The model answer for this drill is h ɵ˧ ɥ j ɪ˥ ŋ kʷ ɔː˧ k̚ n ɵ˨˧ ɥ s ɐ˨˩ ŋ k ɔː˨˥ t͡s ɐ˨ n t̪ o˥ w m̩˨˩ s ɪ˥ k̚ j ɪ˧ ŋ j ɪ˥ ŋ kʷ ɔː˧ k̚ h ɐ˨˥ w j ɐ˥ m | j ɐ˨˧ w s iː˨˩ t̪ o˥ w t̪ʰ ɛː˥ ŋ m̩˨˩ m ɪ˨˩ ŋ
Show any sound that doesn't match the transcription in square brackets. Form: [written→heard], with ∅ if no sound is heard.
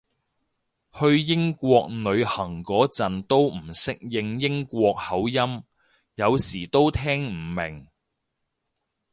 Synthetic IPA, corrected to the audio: h ɵ˧ ɥ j ɪ˥ ŋ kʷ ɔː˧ k̚ n ɵ˨˧ ɥ [s→h] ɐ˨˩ ŋ k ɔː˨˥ t͡s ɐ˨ n t̪ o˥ w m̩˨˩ s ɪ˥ k̚ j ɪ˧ ŋ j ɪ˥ ŋ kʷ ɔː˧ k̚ h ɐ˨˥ w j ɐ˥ m | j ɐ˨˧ w s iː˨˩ t̪ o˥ w t̪ʰ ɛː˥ ŋ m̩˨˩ m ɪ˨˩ ŋ